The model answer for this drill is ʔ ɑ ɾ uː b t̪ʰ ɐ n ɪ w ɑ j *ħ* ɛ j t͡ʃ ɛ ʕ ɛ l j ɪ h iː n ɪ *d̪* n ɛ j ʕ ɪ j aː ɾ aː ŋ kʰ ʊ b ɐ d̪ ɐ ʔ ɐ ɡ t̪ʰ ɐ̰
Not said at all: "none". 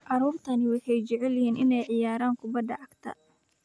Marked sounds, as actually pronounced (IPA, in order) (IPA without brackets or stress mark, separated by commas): ħ, none